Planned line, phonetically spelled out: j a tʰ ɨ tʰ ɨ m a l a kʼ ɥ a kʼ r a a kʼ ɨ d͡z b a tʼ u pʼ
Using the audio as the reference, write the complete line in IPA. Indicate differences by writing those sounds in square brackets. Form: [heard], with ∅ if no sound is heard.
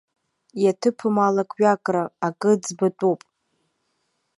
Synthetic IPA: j a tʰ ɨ [pʰ] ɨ m a l a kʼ ɥ a kʼ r a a kʼ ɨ d͡z b a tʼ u pʼ